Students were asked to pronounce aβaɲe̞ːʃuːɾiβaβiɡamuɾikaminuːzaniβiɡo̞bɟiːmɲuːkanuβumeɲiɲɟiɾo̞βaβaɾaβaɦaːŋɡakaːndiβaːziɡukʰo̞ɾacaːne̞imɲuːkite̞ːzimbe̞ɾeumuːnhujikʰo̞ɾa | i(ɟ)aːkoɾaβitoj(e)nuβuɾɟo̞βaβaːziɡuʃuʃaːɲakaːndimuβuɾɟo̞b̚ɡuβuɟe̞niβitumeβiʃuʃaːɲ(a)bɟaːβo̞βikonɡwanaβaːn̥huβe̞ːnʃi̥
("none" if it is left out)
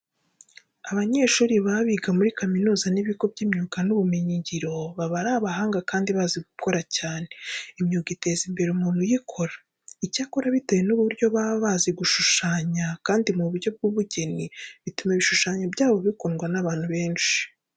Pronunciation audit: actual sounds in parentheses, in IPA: c, e, a

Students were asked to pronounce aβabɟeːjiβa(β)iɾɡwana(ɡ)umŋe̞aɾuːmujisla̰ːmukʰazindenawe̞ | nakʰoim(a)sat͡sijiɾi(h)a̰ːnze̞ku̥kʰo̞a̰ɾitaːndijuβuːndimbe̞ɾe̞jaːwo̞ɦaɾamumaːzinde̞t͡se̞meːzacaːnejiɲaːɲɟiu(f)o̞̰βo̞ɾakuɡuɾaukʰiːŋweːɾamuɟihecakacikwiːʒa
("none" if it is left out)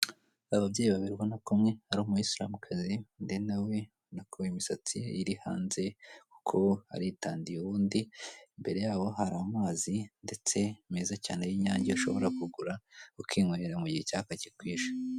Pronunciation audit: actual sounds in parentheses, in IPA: β, k, i, h, ʃ

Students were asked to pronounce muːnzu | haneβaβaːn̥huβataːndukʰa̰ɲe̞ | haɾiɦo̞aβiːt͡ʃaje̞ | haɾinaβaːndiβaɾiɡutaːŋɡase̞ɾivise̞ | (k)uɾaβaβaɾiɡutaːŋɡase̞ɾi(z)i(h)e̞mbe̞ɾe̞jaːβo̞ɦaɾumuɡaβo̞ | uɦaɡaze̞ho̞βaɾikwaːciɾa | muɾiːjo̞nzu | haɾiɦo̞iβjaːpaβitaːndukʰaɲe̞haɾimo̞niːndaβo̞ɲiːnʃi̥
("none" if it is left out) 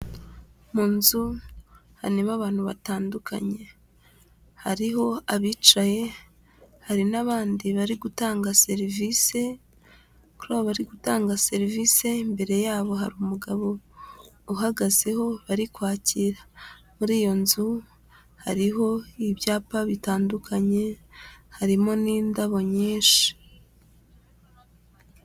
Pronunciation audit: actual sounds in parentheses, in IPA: k, v, s

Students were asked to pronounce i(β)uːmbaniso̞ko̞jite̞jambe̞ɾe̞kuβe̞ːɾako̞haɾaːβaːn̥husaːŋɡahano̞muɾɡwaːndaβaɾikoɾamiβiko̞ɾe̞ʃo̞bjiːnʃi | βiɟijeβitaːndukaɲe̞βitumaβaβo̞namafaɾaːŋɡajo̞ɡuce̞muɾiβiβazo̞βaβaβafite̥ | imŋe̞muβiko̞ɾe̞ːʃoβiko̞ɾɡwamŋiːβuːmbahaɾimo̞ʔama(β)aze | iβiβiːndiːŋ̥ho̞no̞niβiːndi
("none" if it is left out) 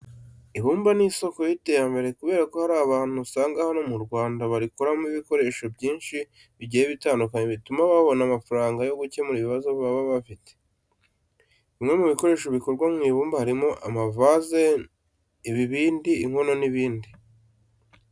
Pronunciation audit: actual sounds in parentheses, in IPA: β, v

